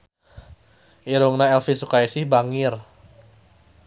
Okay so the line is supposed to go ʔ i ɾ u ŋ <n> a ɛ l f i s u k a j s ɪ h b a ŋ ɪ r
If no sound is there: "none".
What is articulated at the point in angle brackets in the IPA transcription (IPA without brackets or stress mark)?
n